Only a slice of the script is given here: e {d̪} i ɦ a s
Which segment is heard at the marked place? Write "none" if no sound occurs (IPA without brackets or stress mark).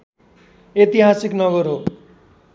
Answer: t̪